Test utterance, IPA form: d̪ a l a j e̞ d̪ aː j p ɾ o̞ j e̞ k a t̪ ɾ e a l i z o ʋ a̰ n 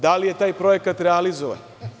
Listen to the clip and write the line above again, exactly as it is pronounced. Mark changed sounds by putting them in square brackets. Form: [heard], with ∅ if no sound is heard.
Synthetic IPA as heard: d̪ a l [i] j e̞ [t̪] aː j p ɾ o̞ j e̞ k a t̪ ɾ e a l i z o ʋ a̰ n

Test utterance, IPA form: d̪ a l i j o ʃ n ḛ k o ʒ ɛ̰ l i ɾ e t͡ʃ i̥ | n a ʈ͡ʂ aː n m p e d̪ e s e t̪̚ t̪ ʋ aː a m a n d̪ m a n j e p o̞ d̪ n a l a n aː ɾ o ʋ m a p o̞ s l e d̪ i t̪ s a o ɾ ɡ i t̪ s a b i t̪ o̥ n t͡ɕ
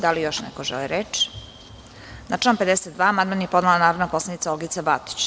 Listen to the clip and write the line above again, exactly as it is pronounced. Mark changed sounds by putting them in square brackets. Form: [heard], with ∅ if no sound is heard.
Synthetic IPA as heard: d̪ a l i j o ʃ n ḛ k o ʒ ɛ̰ l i ɾ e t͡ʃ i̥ | n a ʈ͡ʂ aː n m p e d̪ e s e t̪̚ [d̪] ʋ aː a m a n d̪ m a n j e p o̞ d̪ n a l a n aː ɾ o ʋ [n] a p o̞ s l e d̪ i t̪ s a o [l] ɡ i t̪ s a b [a] t̪ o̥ [∅] t͡ɕ

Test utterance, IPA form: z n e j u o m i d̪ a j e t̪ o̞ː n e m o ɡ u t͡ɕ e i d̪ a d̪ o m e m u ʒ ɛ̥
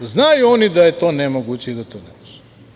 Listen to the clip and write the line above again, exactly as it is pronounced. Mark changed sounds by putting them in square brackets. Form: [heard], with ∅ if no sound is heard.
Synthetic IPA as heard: z n [a] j u o [n] i d̪ a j e t̪ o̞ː n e m o ɡ u t͡ɕ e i d̪ a [t̪] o [n] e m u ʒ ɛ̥

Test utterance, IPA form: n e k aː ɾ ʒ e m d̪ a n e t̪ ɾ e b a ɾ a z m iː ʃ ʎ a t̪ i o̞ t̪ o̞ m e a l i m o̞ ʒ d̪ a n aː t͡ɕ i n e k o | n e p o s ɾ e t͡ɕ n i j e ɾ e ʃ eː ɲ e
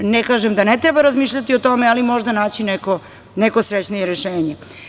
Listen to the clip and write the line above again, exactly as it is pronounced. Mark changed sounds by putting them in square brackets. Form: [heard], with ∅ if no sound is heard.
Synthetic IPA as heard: n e k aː [∅] ʒ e m d̪ a n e t̪ ɾ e b a ɾ a z m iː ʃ ʎ a t̪ i o̞ t̪ o̞ m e a l i m o̞ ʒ d̪ a n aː t͡ɕ i n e k o | n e [k] o s ɾ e t͡ɕ n i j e ɾ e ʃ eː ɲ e

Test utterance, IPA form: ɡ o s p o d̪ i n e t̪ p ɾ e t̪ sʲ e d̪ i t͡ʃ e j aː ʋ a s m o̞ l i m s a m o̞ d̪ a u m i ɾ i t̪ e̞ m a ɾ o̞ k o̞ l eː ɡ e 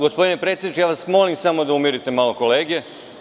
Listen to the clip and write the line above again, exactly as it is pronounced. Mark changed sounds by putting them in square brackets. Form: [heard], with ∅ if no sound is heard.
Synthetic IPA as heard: ɡ o s p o d̪ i n e [∅] p ɾ e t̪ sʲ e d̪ i t͡ʃ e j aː ʋ a s m o̞ l i m s a m o̞ d̪ a u m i ɾ i t̪ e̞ m a [l] o̞ k o̞ l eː ɡ e

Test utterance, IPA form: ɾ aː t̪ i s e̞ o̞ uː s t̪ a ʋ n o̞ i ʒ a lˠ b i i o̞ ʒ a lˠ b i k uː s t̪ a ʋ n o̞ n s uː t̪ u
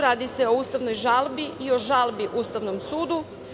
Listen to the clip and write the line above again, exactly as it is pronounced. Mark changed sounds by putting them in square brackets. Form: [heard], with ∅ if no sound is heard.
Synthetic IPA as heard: ɾ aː [d̪] i s e̞ o̞ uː s t̪ a ʋ n o̞ [j] ʒ a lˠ b i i o̞ ʒ a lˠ b i [ʔ] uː s t̪ a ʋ n o̞ [m] s uː [d̪] u

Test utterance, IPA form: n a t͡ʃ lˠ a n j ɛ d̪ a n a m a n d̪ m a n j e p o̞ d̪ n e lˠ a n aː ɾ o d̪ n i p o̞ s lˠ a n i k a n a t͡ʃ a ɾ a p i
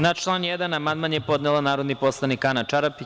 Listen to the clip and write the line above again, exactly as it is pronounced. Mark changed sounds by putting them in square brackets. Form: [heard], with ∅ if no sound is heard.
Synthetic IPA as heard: n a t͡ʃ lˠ a n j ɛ d̪ a n a m a n d̪ m a n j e p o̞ d̪ n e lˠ a n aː ɾ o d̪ n i p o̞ s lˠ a n i k a n a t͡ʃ a ɾ a p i

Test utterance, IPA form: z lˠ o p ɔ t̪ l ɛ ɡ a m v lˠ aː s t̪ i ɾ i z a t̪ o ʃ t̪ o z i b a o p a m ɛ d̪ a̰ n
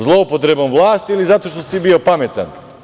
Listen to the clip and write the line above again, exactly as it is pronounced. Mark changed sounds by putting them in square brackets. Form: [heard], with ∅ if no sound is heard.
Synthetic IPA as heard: z lˠ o p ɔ t̪ [ɾ] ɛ [b] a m v lˠ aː s t̪ i [l] i z a t̪ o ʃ t̪ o [s] i b [i] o p a m ɛ [t̪] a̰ n

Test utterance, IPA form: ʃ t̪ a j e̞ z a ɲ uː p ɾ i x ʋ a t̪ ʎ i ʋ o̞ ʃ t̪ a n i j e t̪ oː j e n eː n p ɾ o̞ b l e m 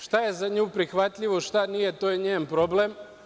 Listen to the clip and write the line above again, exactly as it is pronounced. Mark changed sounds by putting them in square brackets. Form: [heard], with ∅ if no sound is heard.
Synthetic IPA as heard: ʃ t̪ a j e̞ z a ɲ uː p ɾ i x ʋ a t̪ ʎ i ʋ o̞ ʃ t̪ a n i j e t̪ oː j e [ɲ] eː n p ɾ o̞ b l e m

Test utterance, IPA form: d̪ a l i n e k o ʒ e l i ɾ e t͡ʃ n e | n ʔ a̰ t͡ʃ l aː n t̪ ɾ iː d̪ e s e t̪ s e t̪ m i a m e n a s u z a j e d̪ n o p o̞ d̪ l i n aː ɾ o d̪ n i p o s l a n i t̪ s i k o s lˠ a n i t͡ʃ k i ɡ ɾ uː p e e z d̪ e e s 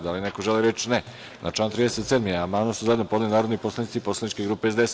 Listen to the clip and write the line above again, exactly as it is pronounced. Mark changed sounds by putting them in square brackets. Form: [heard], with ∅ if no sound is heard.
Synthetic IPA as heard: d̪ a l i n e k o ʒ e l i ɾ e t͡ʃ n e | n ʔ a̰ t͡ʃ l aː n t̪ ɾ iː d̪ e s e t̪ s e [d̪] m i a m [a] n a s u z a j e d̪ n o p o̞ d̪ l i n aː ɾ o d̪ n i p o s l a n i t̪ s i [p] o s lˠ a n i t͡ʃ k [e] ɡ ɾ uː p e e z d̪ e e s

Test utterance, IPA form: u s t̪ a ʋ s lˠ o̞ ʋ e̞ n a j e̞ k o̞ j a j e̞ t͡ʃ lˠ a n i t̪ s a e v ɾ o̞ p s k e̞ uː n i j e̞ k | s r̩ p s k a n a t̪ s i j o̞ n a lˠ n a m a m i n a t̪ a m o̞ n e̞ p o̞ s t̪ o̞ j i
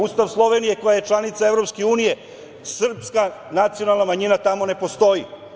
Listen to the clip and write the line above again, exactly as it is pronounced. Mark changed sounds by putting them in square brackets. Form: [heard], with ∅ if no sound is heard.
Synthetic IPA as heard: u s t̪ a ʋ s lˠ o̞ ʋ e̞ n [i] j e̞ k o̞ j a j e̞ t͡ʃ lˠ a n i t̪ s a e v ɾ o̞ p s k e̞ uː n i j e̞ [∅] | s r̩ p s k a n a t̪ s i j o̞ n a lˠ n a m a [ɲ] i n a t̪ a m o̞ n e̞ p o̞ s t̪ o̞ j i

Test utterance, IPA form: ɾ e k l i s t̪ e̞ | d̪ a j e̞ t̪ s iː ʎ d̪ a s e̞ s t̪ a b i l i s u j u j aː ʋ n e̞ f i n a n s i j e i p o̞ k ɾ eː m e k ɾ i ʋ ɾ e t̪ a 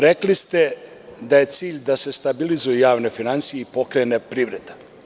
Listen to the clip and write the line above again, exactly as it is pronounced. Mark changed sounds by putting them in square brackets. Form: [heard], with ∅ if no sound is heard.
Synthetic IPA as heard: ɾ e k l i s t̪ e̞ | d̪ a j e̞ t̪ s iː ʎ d̪ a s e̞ s t̪ a b i l i [z] u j u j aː ʋ n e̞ f i n a n s i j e i p o̞ k ɾ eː [n] e [p] ɾ i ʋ ɾ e [d̪] a

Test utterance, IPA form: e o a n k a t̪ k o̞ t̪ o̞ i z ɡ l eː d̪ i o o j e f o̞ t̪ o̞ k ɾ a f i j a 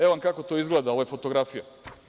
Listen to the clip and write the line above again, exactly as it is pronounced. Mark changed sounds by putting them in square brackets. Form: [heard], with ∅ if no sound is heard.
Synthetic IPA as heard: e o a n k a [∅] k o̞ t̪ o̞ i z ɡ l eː d̪ [a] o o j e f o̞ t̪ o̞ [ɡ] ɾ a f i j a

